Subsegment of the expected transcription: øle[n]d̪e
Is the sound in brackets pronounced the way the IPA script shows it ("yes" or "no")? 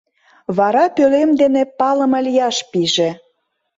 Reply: no